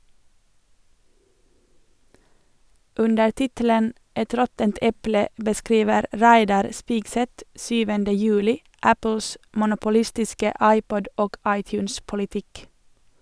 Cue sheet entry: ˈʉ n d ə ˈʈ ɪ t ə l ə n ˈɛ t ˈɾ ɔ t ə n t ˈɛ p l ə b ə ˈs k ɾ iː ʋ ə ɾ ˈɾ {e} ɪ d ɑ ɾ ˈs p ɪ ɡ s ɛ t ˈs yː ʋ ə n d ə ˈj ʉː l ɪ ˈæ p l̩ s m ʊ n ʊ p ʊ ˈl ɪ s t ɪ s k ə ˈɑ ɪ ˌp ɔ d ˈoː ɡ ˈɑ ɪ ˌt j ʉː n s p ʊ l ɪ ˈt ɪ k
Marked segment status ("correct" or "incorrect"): incorrect